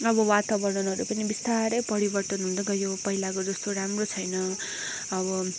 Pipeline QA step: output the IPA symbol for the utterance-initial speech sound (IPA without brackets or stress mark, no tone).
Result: ʌ